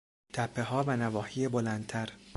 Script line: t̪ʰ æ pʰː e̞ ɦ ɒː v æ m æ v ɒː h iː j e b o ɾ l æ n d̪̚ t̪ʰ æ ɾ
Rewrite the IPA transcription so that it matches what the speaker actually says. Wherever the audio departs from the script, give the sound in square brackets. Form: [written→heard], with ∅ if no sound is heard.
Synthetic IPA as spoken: t̪ʰ æ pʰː e̞ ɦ ɒː v æ [m→n] æ v ɒː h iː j e b o [ɾ→∅] l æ n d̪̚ t̪ʰ æ ɾ